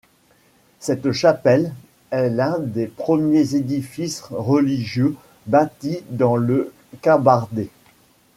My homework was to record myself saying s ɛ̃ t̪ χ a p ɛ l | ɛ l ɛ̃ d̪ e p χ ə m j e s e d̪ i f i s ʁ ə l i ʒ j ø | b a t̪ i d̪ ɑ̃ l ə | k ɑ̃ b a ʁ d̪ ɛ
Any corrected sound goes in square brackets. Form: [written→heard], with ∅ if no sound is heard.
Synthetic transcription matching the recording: s [ɛ̃→ɛ] t̪ [χ→ʃ] a p ɛ l | ɛ l ɛ̃ d̪ e p χ ə m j e [s→z] e d̪ i f i s ʁ ə l i ʒ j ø | b a t̪ i d̪ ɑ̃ l ə | k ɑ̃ b a ʁ d̪ [ɛ→e]